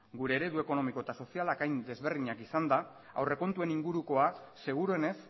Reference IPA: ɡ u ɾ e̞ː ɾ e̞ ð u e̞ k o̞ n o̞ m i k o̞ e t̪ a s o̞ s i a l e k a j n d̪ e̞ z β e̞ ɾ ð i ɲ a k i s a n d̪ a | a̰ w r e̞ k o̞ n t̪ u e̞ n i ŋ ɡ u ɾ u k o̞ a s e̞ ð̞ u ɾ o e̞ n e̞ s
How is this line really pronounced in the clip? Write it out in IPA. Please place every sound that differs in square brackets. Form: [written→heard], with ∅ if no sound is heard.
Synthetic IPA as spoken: ɡ u ɾ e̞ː ɾ e̞ ð u e̞ k o̞ n o̞ m i k o̞ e t̪ a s o̞ s i a l [e→a] k a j n d̪ e̞ z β e̞ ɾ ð i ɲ a k i s a n d̪ a | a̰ w r e̞ k o̞ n t̪ u e̞ n i ŋ ɡ u ɾ u k o̞ a s e̞ [ð̞→ɣ̞] u ɾ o e̞ n e̞ s

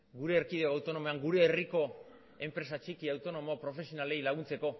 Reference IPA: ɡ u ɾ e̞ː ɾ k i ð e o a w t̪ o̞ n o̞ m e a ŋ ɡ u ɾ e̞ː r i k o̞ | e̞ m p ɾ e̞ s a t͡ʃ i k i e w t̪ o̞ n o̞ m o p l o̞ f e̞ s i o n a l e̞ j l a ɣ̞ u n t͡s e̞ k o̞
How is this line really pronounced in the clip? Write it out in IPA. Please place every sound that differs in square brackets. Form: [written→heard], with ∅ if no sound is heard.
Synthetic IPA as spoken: ɡ u ɾ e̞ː ɾ k i ð e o a w t̪ o̞ n o̞ m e a ŋ ɡ u ɾ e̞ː r i k o̞ | e̞ m p ɾ e̞ s a t͡ʃ i k i [e→a] w t̪ o̞ n o̞ m o p [l→ɾ] o̞ f e̞ s i o n a l e̞ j l a ɣ̞ u n t͡s e̞ k o̞

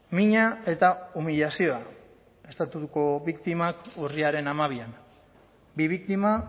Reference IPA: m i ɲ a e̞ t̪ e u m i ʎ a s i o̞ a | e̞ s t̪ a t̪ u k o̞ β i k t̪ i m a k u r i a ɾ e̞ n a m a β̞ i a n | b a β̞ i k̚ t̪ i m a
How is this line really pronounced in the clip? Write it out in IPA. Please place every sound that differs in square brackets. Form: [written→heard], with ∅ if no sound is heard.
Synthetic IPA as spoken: m i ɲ a e̞ t̪ [e→a] u m i ʎ a s i o̞ a | e̞ s t̪ a t̪ u k o̞ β i k t̪ i m a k u r i a ɾ e̞ n a m a β̞ i a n | b [a→i] β̞ i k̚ t̪ i m a

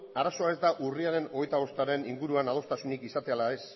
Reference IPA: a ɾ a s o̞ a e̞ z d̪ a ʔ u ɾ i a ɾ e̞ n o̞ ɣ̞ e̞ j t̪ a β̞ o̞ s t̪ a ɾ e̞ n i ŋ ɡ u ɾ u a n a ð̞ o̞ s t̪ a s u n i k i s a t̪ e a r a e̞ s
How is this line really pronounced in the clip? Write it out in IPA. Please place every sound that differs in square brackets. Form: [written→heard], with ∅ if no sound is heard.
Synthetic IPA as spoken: a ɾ a s o̞ a e̞ z d̪ a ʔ u [ɾ→r] i a ɾ e̞ n o̞ ɣ̞ e̞ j t̪ a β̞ o̞ s t̪ a ɾ e̞ n i ŋ ɡ u ɾ u a n a ð̞ o̞ s t̪ a s u n i k i s a t̪ e a [r→l] a e̞ s

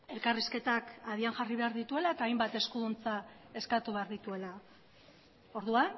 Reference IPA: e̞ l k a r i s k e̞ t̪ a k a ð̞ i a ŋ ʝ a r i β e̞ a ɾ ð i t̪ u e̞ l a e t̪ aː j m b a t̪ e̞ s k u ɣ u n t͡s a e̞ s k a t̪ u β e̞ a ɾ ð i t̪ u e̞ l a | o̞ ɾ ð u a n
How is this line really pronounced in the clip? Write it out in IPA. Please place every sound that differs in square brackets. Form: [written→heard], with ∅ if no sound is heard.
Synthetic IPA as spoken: e̞ l k a r i s k e̞ t̪ a k a ð̞ i a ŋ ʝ a r i β e̞ a ɾ ð i t̪ u e̞ l a e t̪ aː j m b a t̪ e̞ s k u [ɣ→ð] u n t͡s a e̞ s k a t̪ u β e̞ a ɾ ð i t̪ u e̞ l a | o̞ ɾ ð u a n

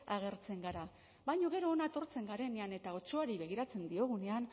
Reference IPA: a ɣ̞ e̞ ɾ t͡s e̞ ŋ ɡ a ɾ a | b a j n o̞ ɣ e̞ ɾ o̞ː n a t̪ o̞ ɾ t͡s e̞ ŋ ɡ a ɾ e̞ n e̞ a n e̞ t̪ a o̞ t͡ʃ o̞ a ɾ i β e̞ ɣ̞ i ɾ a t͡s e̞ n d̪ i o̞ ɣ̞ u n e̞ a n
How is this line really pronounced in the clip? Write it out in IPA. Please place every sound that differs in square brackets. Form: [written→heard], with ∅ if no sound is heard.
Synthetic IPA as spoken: a ɣ̞ e̞ ɾ t͡s e̞ ŋ ɡ a ɾ a | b a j [n→ɲ] o̞ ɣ e̞ ɾ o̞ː n a t̪ o̞ ɾ t͡s e̞ ŋ ɡ a ɾ e̞ n e̞ a n e̞ t̪ a o̞ t͡ʃ o̞ a ɾ i β e̞ ɣ̞ i ɾ a t͡s e̞ n d̪ i o̞ ɣ̞ u n e̞ a n

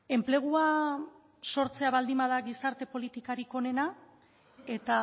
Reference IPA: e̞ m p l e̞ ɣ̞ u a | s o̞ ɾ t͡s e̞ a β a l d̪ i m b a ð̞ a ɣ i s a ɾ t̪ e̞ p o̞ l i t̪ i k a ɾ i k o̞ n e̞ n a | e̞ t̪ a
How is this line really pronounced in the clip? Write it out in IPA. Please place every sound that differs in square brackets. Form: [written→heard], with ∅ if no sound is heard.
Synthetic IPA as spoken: e̞ m p l e̞ ɣ̞ u a | s o̞ ɾ t͡s e̞ a β a l d̪ i m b a ð̞ a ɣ i s a ɾ t̪ e̞ p o̞ l i t̪ i k a ɾ i k o̞ n e̞ n a | e̞ t̪ a

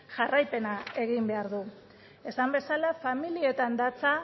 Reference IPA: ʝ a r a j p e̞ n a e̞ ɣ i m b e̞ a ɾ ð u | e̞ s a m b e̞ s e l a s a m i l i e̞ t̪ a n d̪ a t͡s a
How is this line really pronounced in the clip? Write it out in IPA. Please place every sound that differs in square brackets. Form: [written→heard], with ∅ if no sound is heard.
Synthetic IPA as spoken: ʝ a r a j p e̞ n a e̞ ɣ i m b e̞ a ɾ ð u | e̞ s a m b e̞ s [e→a] l a [s→f] a m i l i e̞ t̪ a n d̪ a t͡s a

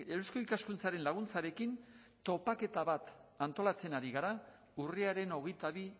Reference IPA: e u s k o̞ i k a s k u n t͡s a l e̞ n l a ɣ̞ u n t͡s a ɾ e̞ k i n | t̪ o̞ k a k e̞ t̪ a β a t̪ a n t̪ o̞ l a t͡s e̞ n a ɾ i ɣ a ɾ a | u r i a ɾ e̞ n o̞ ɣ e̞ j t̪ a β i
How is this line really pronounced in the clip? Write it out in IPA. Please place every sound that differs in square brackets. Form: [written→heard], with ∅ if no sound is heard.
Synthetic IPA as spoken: e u s k o̞ i k a s k u n t͡s a [l→ɾ] e̞ n l a ɣ̞ u n t͡s a ɾ e̞ k i n | t̪ o̞ [k→p] a k e̞ t̪ a β a t̪ a n t̪ o̞ l a t͡s e̞ n a ɾ i ɣ a ɾ a | u r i a ɾ e̞ n o̞ ɣ e̞ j t̪ a β i

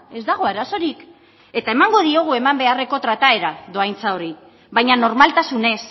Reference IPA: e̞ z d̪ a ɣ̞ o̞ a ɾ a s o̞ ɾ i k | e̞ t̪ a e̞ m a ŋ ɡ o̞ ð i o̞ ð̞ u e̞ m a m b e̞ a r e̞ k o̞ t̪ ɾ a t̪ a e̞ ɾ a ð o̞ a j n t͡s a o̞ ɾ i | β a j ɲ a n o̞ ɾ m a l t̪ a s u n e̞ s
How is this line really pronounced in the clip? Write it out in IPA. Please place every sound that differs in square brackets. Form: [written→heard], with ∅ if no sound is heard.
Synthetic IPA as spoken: e̞ z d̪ a ɣ̞ o̞ a ɾ a s o̞ ɾ i k | e̞ t̪ a e̞ m a ŋ ɡ o̞ ð i o̞ [ð̞→ɣ̞] u e̞ m a m b e̞ a r e̞ k o̞ t̪ ɾ a t̪ a e̞ ɾ a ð o̞ a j n t͡s a o̞ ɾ i | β a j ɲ a n o̞ ɾ m a l t̪ a s u n e̞ s

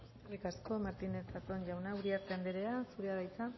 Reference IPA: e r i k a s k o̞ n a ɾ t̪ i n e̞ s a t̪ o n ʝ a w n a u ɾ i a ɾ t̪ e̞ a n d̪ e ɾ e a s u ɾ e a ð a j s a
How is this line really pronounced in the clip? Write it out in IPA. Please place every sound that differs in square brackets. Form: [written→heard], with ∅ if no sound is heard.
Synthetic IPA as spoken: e r i k a s k o̞ [n→m] a ɾ t̪ i n e̞ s a t̪ o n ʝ a w n a u ɾ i a ɾ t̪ e̞ a n d̪ e ɾ e a s u ɾ e a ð a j [s→t͡s] a

